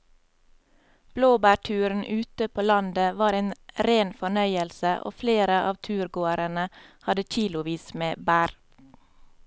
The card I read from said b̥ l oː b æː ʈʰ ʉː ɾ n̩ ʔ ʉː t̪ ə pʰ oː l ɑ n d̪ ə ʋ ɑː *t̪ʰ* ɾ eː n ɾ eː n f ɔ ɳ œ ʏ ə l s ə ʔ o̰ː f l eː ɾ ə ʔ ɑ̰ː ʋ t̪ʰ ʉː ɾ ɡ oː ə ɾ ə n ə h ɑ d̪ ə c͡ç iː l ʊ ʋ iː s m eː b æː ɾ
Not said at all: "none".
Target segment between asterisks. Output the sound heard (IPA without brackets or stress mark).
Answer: none